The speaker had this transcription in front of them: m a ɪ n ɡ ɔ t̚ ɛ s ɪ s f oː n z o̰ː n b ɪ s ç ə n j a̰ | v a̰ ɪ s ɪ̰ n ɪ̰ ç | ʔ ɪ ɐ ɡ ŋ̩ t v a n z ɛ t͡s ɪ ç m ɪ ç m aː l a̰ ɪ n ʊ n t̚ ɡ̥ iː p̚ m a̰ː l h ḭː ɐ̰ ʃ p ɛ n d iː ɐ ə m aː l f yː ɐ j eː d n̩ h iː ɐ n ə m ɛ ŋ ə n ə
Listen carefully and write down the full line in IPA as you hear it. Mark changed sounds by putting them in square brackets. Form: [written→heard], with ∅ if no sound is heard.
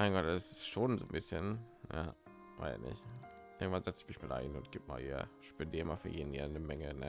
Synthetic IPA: m a ɪ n ɡ ɔ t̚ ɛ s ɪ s [f→ʃ] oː n z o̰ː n b ɪ s ç ə n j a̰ | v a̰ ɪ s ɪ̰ n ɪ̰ ç | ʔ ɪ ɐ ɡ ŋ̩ t v a n z ɛ t͡s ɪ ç m ɪ ç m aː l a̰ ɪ n ʊ n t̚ ɡ̥ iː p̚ m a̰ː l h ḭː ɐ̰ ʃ p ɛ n d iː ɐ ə m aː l f yː ɐ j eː d n̩ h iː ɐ n ə m ɛ ŋ ə n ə